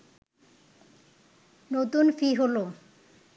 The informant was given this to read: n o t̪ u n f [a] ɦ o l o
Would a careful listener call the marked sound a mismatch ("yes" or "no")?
yes